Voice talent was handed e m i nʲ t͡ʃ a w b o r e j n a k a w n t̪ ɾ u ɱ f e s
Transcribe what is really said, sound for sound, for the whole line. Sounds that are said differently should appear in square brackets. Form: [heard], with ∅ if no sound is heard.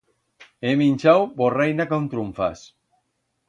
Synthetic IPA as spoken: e m i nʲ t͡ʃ a w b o r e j n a k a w n t̪ ɾ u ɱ f [a] s